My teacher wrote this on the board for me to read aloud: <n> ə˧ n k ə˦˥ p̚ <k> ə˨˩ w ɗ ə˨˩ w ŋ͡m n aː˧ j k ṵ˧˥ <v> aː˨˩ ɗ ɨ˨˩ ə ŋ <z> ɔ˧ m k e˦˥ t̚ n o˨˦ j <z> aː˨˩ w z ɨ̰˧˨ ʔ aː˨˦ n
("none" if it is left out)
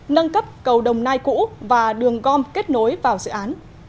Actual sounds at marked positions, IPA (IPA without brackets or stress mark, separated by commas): n, k, v, ɣ, v